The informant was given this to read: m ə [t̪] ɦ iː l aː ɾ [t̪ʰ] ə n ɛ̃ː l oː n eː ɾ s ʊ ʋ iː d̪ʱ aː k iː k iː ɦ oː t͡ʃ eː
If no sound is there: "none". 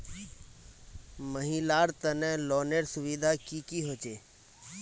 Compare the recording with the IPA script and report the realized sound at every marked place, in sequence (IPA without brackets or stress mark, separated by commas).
none, t̪